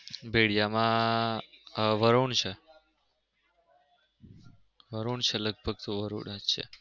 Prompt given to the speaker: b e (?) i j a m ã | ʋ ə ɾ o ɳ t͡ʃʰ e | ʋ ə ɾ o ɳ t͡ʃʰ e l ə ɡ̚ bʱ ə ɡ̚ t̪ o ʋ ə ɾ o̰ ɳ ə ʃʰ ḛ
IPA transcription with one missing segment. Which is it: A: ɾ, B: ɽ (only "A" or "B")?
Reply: B